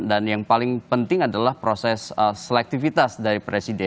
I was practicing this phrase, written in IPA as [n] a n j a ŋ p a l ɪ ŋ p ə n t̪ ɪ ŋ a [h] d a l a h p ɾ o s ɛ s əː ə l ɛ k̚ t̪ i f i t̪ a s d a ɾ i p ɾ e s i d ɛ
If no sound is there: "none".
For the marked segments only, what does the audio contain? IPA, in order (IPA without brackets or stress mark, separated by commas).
d, none